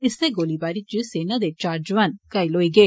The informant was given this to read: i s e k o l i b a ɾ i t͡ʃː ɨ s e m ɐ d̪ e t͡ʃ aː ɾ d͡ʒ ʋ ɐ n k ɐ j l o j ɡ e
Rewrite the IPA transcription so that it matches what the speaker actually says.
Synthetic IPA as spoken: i s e ɡ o l i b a ɾ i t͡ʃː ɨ s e n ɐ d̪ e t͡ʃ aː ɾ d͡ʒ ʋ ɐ n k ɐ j l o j ɡ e